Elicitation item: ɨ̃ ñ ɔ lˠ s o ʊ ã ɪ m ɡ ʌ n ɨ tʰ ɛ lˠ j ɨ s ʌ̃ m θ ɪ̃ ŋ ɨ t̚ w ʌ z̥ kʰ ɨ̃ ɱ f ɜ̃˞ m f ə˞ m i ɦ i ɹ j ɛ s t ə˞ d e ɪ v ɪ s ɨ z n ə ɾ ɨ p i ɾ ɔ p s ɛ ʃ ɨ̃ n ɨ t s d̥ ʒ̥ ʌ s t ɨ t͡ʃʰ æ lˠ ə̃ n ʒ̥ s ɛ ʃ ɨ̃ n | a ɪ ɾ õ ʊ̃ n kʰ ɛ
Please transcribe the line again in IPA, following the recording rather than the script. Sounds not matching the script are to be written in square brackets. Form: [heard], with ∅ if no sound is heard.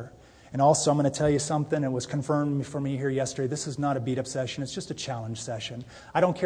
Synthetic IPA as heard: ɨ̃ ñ ɔ lˠ s o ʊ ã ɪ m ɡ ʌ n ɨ tʰ ɛ lˠ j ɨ s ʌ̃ m θ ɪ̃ ŋ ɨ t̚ w ʌ z̥ kʰ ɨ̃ ɱ f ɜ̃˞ m f ə˞ m i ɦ i ɹ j ɛ s t ə˞ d e ɪ [ð] ɪ s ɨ z n ə ɾ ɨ [b] i ɾ [ʌ] p s ɛ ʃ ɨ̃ n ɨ t s d̥ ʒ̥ ʌ s t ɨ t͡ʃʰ æ lˠ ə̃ n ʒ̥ s ɛ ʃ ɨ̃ n | a ɪ ɾ õ ʊ̃ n kʰ ɛ